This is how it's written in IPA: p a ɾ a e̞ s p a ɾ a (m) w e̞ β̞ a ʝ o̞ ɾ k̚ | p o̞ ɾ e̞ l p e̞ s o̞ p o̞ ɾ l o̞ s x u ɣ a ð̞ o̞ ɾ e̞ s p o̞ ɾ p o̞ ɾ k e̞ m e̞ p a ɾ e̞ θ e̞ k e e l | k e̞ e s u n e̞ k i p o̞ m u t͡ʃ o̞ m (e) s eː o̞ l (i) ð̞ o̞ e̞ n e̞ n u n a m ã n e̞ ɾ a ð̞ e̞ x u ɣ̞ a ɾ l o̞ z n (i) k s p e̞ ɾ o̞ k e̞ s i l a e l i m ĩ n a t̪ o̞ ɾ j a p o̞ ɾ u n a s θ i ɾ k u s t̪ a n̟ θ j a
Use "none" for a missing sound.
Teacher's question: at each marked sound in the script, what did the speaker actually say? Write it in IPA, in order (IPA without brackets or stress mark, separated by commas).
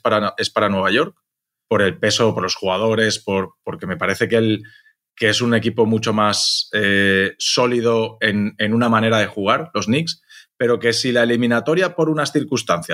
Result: n, a, i, i